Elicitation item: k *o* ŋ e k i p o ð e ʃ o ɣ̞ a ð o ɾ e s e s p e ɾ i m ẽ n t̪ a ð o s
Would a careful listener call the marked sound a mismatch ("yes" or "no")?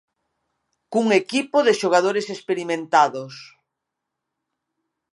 yes